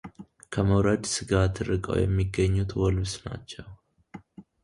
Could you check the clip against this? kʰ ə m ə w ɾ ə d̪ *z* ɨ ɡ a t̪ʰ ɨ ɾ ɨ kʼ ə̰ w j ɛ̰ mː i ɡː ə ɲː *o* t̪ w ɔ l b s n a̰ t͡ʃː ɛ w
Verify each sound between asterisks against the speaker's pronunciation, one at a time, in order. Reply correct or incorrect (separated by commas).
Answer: incorrect, incorrect